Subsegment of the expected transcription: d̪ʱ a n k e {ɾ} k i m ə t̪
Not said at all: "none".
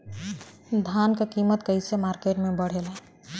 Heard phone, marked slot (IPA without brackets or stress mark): none